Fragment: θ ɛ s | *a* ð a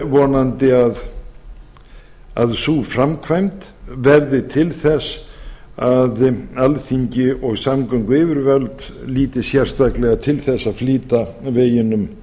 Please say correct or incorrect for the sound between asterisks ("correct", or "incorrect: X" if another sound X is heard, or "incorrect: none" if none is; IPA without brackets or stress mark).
correct